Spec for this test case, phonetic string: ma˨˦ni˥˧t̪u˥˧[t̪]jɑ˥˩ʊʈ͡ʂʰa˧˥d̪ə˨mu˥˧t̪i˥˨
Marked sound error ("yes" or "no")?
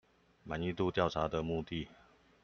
no